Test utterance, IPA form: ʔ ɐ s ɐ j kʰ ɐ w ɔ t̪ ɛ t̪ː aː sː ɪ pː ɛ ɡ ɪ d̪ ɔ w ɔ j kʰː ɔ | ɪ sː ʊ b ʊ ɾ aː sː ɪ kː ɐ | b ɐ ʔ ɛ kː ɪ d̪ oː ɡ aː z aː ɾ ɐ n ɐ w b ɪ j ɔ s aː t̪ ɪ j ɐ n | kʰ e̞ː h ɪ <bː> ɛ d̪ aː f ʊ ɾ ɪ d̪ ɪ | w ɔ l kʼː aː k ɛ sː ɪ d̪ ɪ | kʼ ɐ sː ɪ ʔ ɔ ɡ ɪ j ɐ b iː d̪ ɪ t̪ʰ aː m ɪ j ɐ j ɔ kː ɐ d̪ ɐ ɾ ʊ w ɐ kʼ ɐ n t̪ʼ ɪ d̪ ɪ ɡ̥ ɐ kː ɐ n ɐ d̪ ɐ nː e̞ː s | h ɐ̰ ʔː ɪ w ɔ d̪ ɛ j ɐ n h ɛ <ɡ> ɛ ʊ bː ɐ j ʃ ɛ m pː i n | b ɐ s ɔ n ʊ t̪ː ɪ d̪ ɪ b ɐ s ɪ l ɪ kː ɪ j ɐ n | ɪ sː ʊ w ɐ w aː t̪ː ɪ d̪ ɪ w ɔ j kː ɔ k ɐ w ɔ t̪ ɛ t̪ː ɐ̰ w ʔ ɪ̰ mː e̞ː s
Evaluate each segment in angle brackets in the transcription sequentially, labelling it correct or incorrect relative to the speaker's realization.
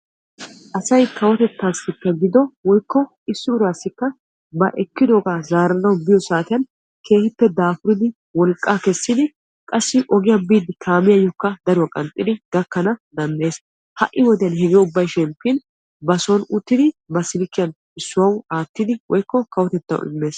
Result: incorrect: pː, correct

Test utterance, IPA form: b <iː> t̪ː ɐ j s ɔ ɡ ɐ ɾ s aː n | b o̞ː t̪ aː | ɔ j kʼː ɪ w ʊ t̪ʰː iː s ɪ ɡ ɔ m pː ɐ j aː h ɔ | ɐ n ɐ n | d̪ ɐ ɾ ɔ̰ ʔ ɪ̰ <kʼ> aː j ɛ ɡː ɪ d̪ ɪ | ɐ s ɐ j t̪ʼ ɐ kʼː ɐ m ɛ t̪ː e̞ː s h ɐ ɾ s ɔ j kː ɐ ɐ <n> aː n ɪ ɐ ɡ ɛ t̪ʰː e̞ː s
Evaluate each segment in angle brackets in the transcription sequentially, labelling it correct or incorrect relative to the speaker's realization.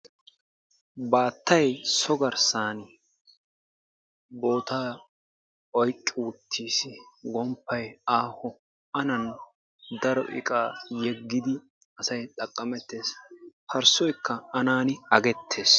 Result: incorrect: aː, correct, correct

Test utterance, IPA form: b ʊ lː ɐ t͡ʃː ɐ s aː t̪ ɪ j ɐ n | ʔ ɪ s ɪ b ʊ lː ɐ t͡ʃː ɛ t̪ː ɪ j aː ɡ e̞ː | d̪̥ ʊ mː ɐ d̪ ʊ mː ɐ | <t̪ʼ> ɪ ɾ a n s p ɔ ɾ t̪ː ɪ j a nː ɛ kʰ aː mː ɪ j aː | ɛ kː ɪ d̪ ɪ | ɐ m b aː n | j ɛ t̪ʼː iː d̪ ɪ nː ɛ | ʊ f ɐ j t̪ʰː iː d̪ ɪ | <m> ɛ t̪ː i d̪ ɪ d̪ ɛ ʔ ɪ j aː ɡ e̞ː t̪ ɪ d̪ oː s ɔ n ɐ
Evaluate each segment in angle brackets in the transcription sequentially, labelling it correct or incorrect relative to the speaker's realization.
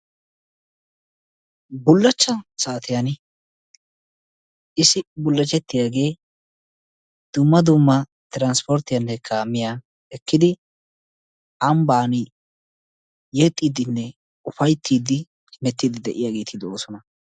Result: incorrect: t̪, correct

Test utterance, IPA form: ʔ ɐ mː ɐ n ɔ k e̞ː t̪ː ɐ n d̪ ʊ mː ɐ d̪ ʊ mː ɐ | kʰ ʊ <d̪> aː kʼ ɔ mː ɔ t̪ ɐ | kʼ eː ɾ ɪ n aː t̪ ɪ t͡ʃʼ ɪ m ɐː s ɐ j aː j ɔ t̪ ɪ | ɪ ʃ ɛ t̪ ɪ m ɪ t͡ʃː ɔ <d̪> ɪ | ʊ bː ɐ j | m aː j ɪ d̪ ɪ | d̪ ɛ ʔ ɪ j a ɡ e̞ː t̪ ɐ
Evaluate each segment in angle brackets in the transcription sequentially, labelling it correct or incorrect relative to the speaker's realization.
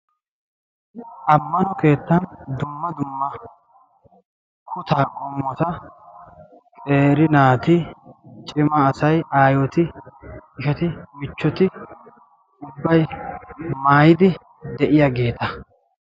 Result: incorrect: t̪, incorrect: t̪

